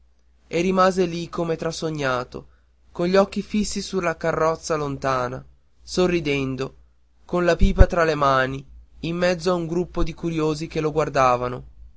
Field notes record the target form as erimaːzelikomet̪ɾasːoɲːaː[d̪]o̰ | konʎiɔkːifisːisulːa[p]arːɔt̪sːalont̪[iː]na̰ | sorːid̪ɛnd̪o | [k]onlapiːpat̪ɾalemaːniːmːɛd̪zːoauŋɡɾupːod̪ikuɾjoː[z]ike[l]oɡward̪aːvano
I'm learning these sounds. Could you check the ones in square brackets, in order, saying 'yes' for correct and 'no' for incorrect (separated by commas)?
no, no, no, yes, yes, yes